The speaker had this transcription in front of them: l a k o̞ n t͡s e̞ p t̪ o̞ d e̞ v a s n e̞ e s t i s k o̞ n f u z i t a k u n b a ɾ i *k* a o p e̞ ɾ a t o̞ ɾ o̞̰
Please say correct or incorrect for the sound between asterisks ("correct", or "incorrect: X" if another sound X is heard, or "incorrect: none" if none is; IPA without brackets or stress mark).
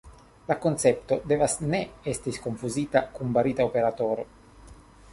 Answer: incorrect: t